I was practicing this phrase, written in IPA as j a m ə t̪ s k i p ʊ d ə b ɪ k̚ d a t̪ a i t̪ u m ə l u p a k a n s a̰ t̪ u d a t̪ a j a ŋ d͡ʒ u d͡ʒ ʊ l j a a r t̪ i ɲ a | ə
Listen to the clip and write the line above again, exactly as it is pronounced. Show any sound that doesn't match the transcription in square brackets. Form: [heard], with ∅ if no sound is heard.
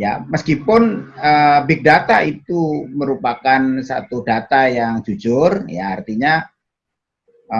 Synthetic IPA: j a m ə [∅] s k i p ʊ [n] ə b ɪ k̚ d a t̪ a i t̪ u m ə [ɾ] u p a k a n s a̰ t̪ u d a t̪ a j a ŋ d͡ʒ u d͡ʒ ʊ [r] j a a r t̪ i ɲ a | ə